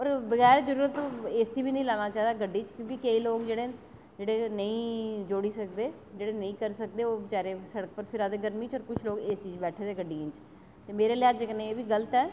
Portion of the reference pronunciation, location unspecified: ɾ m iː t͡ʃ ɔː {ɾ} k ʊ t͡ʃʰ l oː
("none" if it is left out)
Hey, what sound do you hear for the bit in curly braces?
ɾ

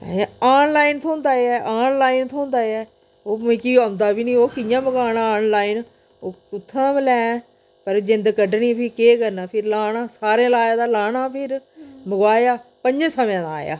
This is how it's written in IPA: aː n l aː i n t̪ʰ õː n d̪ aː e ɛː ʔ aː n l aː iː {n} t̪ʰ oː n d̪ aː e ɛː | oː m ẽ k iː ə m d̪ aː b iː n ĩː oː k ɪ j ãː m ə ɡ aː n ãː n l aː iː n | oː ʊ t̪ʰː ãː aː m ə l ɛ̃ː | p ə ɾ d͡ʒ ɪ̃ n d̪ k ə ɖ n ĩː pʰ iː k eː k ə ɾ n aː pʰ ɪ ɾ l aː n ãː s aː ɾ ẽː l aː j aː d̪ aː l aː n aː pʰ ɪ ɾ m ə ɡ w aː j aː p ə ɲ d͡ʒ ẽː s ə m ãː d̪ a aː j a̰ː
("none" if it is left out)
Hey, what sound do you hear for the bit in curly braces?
n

